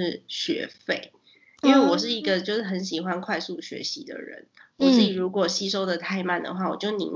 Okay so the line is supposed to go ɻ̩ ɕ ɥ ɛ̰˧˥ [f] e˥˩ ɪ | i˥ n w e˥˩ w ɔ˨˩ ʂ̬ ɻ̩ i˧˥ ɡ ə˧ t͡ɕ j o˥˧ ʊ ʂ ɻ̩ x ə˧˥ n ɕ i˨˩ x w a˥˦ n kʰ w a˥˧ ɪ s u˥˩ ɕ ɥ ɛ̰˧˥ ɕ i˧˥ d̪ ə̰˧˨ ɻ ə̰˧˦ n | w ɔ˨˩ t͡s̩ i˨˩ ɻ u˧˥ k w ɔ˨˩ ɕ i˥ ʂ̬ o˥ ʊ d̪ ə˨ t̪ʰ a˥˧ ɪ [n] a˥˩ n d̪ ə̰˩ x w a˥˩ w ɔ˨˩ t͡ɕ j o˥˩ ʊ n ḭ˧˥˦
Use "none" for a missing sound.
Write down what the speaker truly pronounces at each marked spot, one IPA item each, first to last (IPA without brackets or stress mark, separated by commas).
f, m